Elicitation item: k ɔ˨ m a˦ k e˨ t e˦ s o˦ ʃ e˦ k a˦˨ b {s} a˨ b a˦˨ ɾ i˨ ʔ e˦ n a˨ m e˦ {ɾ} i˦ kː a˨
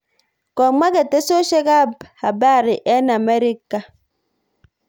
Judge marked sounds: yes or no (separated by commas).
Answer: no, yes